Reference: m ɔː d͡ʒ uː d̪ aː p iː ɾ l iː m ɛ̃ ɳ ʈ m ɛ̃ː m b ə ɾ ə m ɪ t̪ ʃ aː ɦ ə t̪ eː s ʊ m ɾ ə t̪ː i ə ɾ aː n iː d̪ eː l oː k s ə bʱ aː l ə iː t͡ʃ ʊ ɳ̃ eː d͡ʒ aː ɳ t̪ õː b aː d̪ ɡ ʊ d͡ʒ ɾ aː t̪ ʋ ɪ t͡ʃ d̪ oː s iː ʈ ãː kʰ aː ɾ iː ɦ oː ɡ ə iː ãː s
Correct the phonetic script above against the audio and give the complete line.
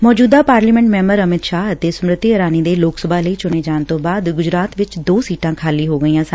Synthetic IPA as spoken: m ɔː d͡ʒ uː d̪ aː p aː ɾ l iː m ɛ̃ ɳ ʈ m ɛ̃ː m b ə ɾ ə m ɪ t̪ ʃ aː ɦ ə t̪ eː s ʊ m ɾ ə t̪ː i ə ɾ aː n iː d̪ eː l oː k s ə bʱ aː l ə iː t͡ʃ ʊ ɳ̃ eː d͡ʒ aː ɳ t̪ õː b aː d̪ ɡ ʊ d͡ʒ ɾ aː t̪ ʋ ɪ t͡ʃ d̪ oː s iː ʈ ãː kʰ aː l iː ɦ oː ɡ ə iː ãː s

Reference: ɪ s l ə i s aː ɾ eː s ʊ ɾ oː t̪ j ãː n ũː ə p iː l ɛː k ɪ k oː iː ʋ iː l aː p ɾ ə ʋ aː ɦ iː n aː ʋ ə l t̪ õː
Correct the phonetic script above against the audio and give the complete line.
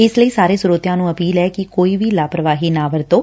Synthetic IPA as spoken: ɪ s l ə iː s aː ɾ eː s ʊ ɾ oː t̪ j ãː n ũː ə p iː l ɛː k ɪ k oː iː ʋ iː l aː p ɾ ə ʋ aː ɦ iː n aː ʋ ə ɾ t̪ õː

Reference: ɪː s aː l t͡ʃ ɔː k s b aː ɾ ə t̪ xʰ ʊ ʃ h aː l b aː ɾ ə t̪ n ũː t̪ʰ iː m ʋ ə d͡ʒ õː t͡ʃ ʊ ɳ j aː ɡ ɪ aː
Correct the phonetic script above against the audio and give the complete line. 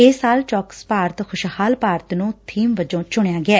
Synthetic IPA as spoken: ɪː s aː l t͡ʃ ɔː k s p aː ɾ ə t̪ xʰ ʊ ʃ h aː l p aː ɾ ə t̪ n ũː t̪ʰ iː m ʋ ə d͡ʒ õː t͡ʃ ʊ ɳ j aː ɡ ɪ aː

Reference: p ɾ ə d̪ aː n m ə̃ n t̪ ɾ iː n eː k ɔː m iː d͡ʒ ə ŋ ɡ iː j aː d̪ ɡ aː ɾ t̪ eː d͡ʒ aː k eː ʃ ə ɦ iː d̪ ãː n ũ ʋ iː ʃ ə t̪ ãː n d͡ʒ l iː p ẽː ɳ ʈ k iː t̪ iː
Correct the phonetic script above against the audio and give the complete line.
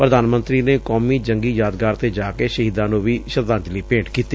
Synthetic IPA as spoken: p ɾ ə d̪ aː n m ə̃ n t̪ ɾ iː n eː k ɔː m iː d͡ʒ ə ŋ ɡ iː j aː d̪ ɡ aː ɾ t̪ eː d͡ʒ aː k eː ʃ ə ɦ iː d̪ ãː n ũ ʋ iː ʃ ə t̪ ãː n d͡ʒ l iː p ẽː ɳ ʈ k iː t̪ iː

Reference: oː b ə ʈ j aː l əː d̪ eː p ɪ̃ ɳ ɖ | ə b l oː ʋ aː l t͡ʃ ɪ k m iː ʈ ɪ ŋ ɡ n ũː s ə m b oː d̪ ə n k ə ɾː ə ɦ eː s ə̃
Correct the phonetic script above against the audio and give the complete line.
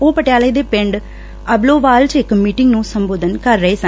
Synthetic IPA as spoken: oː p ə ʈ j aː l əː d̪ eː p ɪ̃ ɳ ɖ | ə b l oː ʋ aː l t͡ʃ ɪ k m iː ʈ ɪ ŋ ɡ n ũː s ə m b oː d̪ ə n k ə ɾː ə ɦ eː s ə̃

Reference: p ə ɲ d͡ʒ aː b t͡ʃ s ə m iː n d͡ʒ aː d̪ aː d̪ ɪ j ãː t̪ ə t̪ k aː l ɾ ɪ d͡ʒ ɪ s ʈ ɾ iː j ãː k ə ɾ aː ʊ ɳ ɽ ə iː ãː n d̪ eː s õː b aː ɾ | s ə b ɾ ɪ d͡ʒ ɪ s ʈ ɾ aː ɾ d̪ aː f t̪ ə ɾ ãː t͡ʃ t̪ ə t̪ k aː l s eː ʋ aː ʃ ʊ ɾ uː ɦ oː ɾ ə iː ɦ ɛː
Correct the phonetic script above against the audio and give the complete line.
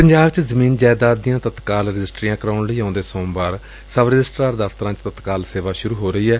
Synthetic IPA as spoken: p ə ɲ d͡ʒ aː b t͡ʃ z ə m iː n d͡ʒ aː d̪ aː d̪ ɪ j ãː t̪ ə t̪ k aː l ɾ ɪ d͡ʒ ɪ s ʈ ɾ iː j ãː k ə ɾ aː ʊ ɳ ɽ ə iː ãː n d̪ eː s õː b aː ɾ | s ə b ɾ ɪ d͡ʒ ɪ s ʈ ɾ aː ɾ d̪ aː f t̪ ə ɾ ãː t͡ʃ t̪ ə t̪ k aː l s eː ʋ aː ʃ ʊ ɾ uː ɦ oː ɾ ə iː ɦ ɛː

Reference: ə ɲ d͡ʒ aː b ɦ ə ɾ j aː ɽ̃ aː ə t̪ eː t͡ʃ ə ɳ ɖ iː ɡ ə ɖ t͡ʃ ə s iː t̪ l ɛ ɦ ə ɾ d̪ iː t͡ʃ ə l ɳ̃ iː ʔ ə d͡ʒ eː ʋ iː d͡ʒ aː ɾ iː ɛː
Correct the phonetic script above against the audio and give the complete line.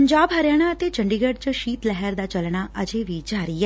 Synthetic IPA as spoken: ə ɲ d͡ʒ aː b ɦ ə ɾ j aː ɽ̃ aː ə t̪ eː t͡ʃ ə ɳ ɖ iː ɡ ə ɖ t͡ʃ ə ʃ iː t̪ l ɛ ɦ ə ɾ d̪ aː t͡ʃ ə l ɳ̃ aː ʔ ə d͡ʒ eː ʋ iː d͡ʒ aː ɾ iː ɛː

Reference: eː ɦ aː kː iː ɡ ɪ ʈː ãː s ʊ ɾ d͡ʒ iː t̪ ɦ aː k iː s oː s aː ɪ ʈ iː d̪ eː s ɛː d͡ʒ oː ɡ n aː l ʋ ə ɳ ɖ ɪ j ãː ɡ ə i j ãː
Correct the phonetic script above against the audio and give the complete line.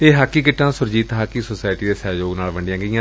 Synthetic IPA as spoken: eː ɦ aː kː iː k ɪ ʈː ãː s ʊ ɾ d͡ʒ iː t̪ ɦ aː k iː s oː s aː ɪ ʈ iː d̪ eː s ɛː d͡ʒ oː ɡ n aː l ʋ ə ɳ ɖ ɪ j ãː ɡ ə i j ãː

